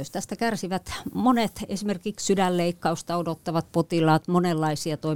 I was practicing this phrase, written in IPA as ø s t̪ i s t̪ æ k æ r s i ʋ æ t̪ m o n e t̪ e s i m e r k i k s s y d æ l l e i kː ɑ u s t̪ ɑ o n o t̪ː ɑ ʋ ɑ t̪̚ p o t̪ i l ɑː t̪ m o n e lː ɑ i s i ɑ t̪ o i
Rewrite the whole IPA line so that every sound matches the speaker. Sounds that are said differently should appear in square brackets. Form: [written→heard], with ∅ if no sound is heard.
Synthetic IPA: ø s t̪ [i→æ] s t̪ æ k æ r s i ʋ æ t̪ m o n e t̪ e s i m e r k i k s s y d æ l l e i kː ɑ u s t̪ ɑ o [n→d] o t̪ː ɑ ʋ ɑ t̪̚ p o t̪ i l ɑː t̪ m o n e lː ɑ i s i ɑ t̪ o i